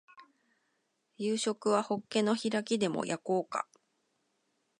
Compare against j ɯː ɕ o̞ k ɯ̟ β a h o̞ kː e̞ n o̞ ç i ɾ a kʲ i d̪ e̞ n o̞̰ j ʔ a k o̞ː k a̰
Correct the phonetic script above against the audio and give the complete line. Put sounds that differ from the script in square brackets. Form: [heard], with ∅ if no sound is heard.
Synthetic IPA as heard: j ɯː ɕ o̞ k ɯ̟ β a h o̞ kː e̞ n o̞ ç i ɾ a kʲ i d̪ e̞ [m] o̞̰ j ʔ a k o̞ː k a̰